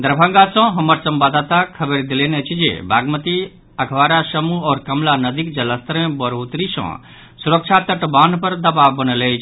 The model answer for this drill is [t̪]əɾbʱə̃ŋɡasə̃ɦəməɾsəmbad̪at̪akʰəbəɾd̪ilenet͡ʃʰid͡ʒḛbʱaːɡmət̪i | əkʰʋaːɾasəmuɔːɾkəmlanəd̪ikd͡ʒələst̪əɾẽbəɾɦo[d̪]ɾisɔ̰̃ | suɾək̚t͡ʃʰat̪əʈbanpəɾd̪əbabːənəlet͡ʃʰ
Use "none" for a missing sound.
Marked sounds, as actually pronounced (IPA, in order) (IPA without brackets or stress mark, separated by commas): d̪, t̪